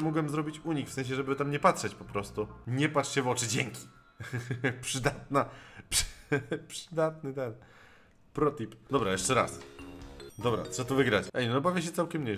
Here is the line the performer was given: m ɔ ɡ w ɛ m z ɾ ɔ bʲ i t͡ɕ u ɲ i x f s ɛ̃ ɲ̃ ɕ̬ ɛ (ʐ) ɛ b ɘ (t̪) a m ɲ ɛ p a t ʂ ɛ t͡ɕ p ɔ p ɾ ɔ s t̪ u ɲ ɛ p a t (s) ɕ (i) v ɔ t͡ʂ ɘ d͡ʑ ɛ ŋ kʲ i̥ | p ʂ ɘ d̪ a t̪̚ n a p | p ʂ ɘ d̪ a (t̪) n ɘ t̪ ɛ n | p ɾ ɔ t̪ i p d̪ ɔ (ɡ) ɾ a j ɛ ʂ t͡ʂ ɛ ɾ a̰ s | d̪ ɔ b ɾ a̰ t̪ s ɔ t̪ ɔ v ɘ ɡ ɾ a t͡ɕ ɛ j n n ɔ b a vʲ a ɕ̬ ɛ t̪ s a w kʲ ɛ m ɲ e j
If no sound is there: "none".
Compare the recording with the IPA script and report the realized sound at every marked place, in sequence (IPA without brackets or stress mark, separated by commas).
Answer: ʐ, t̪, ʂ, ɛ, t̪, b